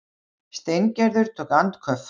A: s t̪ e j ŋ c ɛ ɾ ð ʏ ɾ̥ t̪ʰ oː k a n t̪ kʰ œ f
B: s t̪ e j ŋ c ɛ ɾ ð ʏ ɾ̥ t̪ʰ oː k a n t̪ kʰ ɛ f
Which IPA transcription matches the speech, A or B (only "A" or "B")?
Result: A